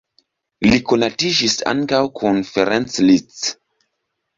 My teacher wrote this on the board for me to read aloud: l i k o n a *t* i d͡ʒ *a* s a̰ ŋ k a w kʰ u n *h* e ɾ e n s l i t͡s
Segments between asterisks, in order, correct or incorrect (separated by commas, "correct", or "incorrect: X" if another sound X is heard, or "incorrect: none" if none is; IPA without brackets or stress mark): correct, incorrect: i, incorrect: f